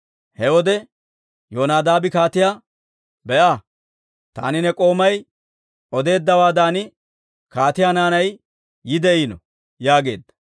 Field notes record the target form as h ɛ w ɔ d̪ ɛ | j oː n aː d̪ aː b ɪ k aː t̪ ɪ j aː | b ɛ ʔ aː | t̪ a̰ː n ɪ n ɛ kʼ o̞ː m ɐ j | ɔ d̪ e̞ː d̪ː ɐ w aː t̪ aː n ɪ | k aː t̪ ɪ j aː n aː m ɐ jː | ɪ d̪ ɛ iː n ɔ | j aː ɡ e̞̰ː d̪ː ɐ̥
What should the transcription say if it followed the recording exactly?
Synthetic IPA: h ɛ w ɔ d̪ ɛ | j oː n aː d̪ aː b ɪ k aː t̪ ɪ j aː | b ɛ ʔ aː | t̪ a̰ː n ɪ n ɛ kʼ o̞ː m ɐ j | ɔ d̪ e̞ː d̪ː ɐ w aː d̪ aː n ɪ | k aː t̪ ɪ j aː n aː n ɐ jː | ɪ d̪ ɛ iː n ɔ | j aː ɡ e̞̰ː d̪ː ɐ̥